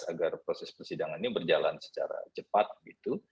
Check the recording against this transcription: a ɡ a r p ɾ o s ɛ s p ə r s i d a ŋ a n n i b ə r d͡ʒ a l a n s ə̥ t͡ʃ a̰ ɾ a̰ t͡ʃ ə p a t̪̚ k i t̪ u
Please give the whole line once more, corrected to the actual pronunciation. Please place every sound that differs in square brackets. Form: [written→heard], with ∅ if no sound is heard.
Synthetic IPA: a ɡ a r p ɾ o s ɛ s p ə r s i d a ŋ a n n i b ə r d͡ʒ a l a n s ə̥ t͡ʃ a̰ ɾ a̰ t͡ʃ ə p a t̪̚ [k→ɡ] i t̪ u